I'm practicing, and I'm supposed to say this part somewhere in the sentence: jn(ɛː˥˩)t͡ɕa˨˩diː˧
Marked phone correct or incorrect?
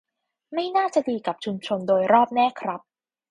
incorrect